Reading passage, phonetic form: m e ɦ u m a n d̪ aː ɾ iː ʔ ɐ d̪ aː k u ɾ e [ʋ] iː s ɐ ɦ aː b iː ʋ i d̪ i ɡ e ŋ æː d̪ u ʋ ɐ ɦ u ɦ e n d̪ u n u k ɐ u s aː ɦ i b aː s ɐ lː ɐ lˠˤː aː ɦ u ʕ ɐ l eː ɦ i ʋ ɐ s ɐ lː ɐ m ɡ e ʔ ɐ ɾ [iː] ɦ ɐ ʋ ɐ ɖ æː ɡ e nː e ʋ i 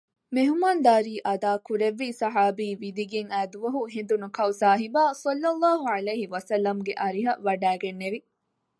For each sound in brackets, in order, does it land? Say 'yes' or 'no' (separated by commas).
no, no